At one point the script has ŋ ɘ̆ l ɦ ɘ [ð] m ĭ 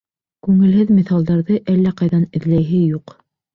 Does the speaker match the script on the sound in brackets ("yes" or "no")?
yes